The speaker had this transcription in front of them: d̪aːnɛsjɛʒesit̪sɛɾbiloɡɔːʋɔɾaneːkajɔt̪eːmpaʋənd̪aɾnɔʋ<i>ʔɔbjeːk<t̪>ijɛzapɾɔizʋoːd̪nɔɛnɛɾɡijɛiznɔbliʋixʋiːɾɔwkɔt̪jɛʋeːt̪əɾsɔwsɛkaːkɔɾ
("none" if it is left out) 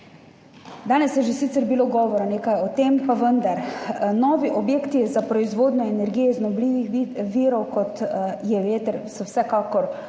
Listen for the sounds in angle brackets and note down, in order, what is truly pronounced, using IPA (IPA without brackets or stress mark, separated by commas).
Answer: i, t̪